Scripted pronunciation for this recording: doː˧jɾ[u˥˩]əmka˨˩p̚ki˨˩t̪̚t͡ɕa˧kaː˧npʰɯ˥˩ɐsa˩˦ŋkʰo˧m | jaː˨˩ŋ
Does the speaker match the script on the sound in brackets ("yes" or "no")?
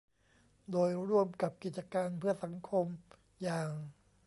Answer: yes